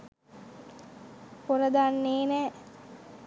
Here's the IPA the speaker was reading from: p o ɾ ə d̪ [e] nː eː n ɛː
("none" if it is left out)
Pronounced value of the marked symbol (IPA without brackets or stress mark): a